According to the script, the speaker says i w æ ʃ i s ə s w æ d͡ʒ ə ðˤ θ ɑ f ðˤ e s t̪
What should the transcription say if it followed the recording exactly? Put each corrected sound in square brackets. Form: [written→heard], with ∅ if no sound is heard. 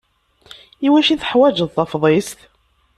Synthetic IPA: i w æ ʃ i [s→θ] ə [s→ħ] w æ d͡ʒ ə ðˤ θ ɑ f ðˤ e s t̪